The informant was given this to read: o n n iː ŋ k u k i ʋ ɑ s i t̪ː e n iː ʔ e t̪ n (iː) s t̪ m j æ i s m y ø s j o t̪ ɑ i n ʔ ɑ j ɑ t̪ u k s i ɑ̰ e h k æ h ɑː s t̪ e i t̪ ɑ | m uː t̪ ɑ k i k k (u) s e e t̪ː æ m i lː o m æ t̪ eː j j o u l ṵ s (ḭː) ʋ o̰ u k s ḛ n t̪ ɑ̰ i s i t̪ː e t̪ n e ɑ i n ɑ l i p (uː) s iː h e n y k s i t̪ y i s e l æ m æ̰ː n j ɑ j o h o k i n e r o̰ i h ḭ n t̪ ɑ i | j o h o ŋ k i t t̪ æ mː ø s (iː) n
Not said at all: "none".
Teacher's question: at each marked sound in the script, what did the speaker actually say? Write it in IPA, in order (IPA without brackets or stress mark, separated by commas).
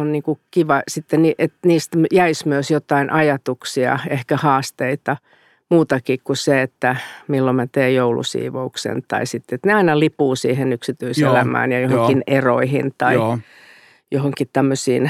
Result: iː, u, ḭː, uː, iː